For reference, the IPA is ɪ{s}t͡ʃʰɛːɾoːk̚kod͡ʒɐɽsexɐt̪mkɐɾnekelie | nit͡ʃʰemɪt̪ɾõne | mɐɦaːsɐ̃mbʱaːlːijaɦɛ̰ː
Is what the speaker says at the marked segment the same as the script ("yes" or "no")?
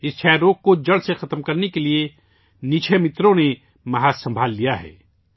yes